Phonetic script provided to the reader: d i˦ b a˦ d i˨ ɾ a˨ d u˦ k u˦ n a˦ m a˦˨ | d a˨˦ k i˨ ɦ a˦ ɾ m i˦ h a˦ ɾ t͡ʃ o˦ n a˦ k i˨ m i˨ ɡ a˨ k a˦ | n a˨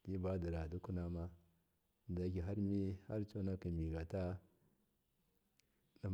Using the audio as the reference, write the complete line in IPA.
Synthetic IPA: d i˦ b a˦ d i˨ ɾ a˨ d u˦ k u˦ n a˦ m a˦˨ | d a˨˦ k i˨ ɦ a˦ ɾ m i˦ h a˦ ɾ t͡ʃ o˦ n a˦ k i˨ m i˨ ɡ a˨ t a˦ | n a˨